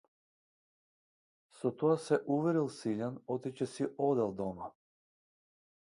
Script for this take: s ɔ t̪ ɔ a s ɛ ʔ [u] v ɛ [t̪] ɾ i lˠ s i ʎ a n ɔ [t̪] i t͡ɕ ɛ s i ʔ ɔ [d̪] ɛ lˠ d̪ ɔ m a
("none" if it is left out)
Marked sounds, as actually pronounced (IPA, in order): u, none, t̪, d̪

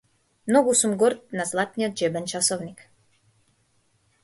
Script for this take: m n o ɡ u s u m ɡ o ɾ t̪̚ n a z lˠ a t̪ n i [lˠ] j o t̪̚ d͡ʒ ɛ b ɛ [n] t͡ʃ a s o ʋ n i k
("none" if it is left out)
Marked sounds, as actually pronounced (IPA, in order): none, n

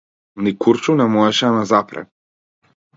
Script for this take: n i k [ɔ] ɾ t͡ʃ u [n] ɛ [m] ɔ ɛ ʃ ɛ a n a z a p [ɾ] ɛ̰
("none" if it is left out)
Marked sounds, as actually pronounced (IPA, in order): u, n, m, ɾ

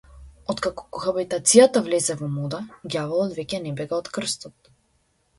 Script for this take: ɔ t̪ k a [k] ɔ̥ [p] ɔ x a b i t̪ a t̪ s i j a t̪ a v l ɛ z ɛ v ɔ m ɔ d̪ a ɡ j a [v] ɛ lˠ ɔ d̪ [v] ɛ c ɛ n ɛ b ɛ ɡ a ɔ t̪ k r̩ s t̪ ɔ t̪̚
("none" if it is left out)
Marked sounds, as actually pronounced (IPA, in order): k, k, v, v

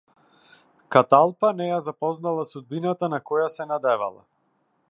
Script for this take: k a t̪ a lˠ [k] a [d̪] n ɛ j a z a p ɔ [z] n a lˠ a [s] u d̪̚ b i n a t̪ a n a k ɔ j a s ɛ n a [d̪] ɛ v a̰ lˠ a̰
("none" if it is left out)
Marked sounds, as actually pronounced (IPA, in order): p, none, z, s, d̪

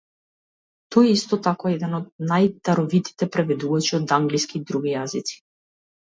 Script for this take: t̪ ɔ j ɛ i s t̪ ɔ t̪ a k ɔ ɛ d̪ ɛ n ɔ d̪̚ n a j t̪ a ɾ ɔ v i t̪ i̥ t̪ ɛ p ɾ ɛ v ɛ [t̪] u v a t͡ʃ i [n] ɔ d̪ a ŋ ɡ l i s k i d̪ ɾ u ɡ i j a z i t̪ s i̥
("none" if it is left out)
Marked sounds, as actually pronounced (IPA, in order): d̪, none

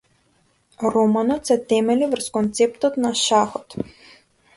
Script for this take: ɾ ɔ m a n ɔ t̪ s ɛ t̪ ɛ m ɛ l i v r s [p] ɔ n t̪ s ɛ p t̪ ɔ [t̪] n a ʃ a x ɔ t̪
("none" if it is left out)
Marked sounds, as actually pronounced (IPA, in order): k, t̪

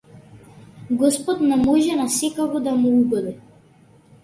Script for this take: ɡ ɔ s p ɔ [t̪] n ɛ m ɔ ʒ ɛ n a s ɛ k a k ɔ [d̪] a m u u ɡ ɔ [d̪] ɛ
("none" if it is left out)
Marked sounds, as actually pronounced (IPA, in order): t̪, d̪, d̪

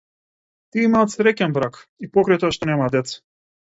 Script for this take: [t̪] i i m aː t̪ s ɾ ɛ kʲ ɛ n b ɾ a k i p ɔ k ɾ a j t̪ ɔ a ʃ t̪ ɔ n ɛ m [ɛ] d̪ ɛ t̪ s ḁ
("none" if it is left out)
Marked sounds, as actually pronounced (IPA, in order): t̪, a

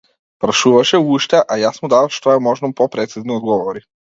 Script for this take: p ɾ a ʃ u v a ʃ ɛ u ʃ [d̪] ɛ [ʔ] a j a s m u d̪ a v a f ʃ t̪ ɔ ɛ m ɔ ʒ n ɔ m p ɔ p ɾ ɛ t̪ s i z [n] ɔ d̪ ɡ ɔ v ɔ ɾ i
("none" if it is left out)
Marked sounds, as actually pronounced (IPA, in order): t̪, ʔ, n

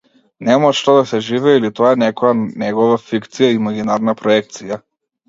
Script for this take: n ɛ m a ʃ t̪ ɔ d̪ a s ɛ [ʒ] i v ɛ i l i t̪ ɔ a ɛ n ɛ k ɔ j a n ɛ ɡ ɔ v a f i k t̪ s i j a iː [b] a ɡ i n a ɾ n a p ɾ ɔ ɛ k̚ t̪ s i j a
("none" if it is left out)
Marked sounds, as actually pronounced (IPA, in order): ʒ, m

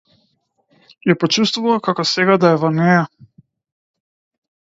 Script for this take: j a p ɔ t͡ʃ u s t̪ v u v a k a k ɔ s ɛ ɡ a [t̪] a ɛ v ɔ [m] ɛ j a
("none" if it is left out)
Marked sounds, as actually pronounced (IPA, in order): d̪, n

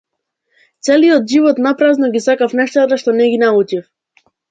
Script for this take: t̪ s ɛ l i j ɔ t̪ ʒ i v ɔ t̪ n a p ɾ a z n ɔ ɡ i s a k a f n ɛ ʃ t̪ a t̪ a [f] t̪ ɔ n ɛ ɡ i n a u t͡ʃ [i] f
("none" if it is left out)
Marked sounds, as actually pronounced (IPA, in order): ʃ, i

